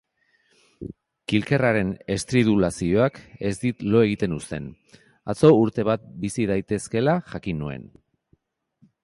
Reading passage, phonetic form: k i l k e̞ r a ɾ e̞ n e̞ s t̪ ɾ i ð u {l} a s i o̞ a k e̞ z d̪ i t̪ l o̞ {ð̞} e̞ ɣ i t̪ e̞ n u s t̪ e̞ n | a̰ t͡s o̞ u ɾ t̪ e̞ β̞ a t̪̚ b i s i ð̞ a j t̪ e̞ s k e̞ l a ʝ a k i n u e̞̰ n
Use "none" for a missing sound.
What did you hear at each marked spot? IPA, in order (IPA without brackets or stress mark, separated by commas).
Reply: l, none